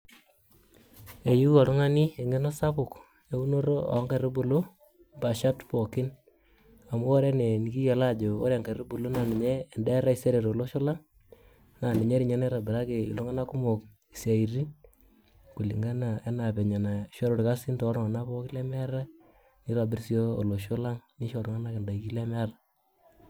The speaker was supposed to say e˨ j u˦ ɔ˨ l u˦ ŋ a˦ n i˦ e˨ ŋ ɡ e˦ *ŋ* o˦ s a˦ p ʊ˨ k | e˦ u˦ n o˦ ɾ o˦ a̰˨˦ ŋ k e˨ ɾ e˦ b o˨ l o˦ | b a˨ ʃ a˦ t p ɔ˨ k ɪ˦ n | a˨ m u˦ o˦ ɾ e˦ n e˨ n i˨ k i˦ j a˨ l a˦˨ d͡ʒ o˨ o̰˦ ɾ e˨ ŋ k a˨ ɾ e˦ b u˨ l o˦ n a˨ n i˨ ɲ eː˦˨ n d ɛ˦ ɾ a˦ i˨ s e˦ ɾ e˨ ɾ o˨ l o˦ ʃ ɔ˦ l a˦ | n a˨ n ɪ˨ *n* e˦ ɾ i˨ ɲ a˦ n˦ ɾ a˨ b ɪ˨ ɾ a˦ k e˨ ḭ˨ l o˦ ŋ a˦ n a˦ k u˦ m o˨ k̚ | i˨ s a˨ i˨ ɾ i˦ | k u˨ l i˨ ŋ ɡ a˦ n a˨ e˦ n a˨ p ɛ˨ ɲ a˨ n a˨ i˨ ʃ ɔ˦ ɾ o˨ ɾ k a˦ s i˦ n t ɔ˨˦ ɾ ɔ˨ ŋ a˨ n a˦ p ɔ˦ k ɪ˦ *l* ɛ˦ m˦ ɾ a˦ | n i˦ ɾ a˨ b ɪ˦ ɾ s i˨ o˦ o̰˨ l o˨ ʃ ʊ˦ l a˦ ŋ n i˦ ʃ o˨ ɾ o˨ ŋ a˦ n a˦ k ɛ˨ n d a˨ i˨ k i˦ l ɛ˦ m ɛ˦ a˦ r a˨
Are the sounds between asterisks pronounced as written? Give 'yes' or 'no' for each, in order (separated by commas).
no, no, yes